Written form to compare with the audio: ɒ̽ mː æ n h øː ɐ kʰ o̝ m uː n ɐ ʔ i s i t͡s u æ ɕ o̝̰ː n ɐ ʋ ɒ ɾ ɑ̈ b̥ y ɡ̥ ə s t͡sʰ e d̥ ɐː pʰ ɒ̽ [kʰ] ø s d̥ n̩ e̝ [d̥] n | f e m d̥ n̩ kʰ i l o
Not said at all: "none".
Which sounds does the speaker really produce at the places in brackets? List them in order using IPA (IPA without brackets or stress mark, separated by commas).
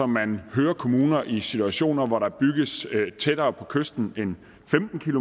kʰ, none